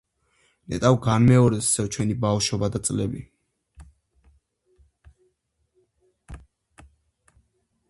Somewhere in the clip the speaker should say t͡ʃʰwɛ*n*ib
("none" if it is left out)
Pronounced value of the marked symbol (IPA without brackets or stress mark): n